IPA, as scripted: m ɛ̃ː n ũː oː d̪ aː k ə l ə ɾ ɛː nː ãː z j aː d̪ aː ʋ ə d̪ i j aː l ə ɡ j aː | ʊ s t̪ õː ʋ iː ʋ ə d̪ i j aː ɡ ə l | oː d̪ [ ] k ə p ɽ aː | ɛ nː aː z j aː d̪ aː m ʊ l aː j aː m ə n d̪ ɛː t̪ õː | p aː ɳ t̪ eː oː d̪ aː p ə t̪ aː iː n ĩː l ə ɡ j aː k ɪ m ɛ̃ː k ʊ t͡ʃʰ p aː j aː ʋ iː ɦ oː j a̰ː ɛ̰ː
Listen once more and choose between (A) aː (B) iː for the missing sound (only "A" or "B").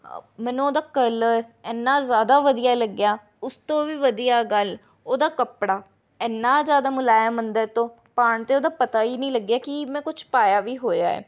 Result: A